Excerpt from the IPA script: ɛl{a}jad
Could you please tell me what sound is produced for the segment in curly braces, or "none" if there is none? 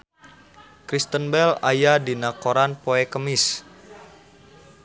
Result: a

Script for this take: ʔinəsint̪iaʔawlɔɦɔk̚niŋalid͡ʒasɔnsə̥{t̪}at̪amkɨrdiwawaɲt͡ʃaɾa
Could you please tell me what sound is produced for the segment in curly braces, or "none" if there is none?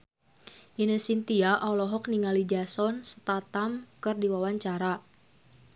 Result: t̪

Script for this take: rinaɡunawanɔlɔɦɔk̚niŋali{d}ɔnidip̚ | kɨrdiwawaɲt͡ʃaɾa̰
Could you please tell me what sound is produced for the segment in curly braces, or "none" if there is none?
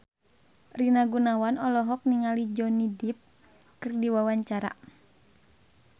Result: d͡ʒ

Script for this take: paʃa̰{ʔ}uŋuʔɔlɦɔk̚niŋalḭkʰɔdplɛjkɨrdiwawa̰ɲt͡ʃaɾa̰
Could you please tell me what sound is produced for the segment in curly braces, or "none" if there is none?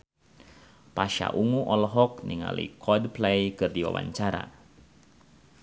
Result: ʔ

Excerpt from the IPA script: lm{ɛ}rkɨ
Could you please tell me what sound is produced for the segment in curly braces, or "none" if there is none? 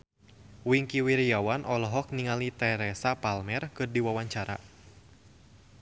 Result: ɛ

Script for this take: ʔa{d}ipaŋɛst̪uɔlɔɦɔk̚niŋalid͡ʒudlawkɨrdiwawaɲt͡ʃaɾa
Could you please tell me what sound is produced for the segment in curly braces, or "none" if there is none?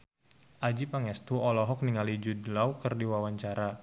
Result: d͡ʒ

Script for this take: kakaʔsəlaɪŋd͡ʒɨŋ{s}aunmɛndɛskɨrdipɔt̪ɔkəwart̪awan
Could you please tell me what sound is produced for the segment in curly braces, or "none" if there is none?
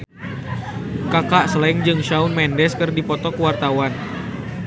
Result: ʃ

